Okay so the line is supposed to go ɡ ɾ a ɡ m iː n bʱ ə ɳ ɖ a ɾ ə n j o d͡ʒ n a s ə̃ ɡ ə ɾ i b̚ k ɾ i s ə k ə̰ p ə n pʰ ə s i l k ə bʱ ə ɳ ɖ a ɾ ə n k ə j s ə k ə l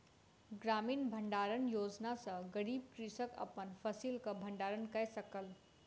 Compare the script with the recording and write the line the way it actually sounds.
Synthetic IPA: ɡ ɾ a m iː n bʱ ə ɳ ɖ a ɾ ə n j o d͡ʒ n a s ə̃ ɡ ə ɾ i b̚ k ɾ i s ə k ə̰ p ə n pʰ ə s i l k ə bʱ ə ɳ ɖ a ɾ ə n k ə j s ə k ə l

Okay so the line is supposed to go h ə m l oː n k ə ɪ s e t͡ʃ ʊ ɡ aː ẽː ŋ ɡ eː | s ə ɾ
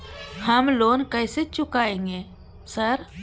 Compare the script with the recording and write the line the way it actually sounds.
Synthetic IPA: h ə m l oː n k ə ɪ s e t͡ʃ ʊ k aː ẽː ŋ ɡ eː | s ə ɾ

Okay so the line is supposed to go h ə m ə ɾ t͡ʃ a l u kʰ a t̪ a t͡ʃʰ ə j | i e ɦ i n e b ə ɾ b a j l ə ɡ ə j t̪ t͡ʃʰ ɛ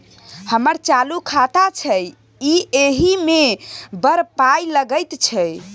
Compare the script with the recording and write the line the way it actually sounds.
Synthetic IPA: h ə m ə ɾ t͡ʃ a l u kʰ a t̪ a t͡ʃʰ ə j | i e ɦ i m e b ə ɾ p a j l ə ɡ ə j t̪ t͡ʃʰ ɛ

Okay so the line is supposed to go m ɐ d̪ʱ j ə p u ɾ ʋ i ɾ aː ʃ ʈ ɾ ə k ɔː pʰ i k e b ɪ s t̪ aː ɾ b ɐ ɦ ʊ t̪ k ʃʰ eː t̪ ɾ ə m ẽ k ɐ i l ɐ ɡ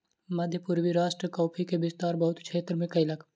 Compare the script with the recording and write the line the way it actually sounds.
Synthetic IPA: m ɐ d̪ʱ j ə p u ɾ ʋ i ɾ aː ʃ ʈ ɾ ə k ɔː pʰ i k e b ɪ s t̪ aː ɾ b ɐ ɦ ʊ t̪ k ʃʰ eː t̪ ɾ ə m ẽ k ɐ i l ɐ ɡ

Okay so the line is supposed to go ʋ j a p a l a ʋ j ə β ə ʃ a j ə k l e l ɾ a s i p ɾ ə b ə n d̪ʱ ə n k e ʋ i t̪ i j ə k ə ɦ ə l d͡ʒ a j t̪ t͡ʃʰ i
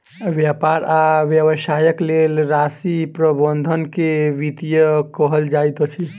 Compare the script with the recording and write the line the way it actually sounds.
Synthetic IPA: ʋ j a p a ɾ a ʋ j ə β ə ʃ a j ə k l e l ɾ a s i p ɾ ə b ə n d̪ʱ ə n k e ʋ i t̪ i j ə k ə ɦ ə l d͡ʒ a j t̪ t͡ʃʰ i

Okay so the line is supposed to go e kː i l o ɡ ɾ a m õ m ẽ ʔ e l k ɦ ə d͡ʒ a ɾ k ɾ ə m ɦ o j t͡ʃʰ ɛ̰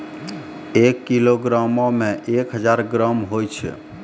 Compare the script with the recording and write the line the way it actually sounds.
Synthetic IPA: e kː i l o ɡ ɾ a m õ m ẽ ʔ e k ɦ ə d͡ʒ a ɾ ɡ ɾ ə m ɦ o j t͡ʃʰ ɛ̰

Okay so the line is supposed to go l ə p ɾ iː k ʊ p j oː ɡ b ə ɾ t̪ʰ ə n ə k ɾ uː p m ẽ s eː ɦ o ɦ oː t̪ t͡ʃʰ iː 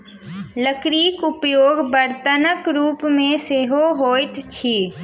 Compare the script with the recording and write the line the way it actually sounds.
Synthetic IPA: l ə k ɾ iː k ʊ p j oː ɡ b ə ɾ t̪ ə n ə k ɾ uː p m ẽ s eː ɦ o ɦ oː t̪ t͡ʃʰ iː

